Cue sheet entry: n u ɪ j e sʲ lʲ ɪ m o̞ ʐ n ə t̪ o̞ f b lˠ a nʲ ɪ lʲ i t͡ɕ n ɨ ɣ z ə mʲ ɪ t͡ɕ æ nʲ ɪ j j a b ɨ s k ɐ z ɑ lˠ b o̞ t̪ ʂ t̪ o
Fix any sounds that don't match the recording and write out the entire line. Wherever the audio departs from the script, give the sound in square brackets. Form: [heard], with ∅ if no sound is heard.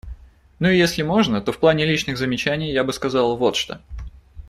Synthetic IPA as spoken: n u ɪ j e sʲ lʲ ɪ m o̞ ʐ n ə t̪ o̞ f [p] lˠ a nʲ ɪ lʲ i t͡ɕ n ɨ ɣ z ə mʲ ɪ t͡ɕ æ nʲ ɪ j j a b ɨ s k ɐ z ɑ lˠ [v] o̞ t̪ ʂ t̪ o